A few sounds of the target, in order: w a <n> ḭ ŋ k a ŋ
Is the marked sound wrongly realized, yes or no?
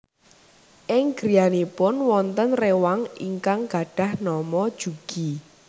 yes